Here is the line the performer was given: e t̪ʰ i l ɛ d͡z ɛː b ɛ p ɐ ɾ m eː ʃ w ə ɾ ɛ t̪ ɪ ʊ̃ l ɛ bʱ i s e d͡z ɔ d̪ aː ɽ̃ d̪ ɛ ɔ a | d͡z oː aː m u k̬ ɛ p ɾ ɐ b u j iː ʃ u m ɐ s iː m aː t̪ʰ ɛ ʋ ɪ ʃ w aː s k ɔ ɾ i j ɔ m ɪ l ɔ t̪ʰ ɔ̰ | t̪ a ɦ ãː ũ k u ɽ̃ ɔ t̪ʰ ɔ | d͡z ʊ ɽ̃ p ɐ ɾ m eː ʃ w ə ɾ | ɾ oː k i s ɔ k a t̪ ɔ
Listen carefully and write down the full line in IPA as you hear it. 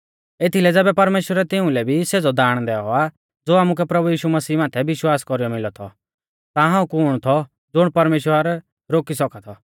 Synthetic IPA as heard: e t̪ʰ i l ɛ d͡z ɛː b ɛ p ɐ ɾ m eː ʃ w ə ɾ ɛ t̪ ɪ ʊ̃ l ɛ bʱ i s e d͡z ɔ d̪ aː ɽ̃ d̪ ɛ ɔ a | d͡z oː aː m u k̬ ɛ p ɾ ɐ b u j iː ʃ u m ɐ s iː m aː t̪ʰ ɛ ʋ ɪ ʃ w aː s k ɔ ɾ i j ɔ m ɪ l ɔ t̪ʰ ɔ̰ | t̪ a ɦ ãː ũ k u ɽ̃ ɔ t̪ʰ ɔ | d͡z ʊ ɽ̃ p ɐ ɾ m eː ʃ w ə ɾ | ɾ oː k i s ɔ k a t̪ʰ ɔ